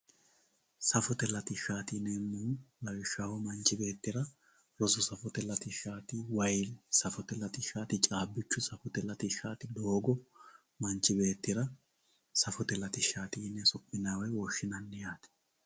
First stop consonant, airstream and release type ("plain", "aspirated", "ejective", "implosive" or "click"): plain